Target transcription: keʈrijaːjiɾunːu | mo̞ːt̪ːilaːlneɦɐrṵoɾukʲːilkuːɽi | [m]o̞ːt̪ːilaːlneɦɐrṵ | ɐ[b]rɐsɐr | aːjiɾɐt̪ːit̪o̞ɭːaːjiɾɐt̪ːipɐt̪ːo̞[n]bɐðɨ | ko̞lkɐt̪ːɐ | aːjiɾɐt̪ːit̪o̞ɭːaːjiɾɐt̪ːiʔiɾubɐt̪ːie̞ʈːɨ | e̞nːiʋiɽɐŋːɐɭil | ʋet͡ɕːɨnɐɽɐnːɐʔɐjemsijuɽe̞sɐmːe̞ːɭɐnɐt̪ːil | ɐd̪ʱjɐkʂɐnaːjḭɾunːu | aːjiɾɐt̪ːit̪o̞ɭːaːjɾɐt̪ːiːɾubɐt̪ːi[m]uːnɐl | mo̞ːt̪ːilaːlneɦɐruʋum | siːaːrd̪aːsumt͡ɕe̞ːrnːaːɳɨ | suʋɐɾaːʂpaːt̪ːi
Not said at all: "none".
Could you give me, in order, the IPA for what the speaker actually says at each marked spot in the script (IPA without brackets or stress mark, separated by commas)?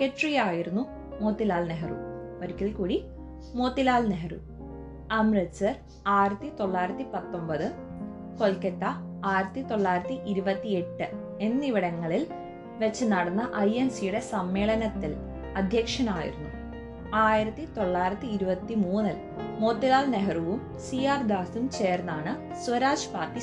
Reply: m, m, m, m